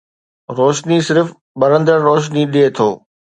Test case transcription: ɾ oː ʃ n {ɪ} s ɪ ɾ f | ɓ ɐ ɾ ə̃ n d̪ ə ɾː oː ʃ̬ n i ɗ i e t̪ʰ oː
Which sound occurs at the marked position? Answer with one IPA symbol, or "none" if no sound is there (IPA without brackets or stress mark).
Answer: i